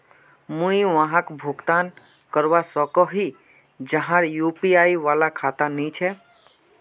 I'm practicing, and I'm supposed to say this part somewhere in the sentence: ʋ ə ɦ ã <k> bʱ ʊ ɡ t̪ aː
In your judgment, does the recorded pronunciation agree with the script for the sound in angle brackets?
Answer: yes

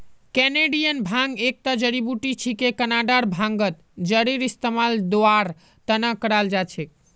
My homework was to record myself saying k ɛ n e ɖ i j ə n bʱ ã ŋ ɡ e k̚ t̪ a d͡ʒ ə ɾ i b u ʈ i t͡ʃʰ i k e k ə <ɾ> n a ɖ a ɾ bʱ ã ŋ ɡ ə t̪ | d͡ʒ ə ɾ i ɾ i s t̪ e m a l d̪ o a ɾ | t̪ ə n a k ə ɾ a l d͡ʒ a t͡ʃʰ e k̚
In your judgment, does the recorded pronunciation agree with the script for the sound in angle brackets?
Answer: no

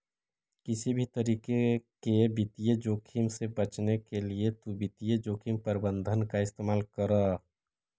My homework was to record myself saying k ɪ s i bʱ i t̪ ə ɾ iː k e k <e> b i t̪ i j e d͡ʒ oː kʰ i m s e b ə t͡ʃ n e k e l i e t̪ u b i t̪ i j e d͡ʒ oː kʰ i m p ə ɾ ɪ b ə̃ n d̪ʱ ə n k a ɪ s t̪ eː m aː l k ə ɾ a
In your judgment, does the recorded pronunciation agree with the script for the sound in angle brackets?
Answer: yes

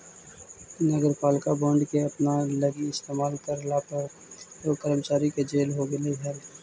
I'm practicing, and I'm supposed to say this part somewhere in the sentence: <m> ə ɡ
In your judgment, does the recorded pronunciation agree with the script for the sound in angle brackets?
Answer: no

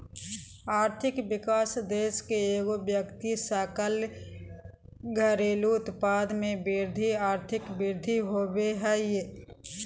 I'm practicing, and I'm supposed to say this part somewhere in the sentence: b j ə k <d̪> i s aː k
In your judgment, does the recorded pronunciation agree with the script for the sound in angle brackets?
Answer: no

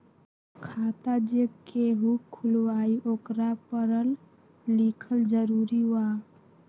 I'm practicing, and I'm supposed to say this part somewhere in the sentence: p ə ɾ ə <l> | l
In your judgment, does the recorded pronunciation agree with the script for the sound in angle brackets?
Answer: yes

